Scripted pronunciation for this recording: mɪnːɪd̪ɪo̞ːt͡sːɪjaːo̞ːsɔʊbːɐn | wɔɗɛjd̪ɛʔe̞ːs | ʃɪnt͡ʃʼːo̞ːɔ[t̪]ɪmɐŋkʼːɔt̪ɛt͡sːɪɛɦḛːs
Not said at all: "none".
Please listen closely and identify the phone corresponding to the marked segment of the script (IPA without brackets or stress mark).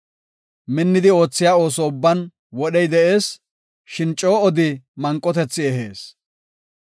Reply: d̪